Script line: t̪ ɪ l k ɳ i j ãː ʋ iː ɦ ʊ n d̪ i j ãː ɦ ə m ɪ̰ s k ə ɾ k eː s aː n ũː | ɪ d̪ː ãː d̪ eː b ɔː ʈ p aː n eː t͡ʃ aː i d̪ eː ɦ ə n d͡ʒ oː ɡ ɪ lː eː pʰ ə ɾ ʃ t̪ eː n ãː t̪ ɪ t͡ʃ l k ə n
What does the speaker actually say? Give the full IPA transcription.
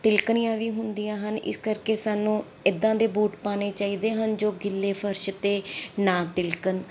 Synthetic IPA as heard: t̪ ɪ l k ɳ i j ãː ʋ iː ɦ ʊ n d̪ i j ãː ɦ ə n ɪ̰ s k ə ɾ k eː s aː n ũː | ɪ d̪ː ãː d̪ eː b uː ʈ p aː n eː t͡ʃ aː iː d̪ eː ɦ ə n d͡ʒ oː ɡ ɪ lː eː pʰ ə ɾ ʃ t̪ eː n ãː t̪ ɪ l k ə n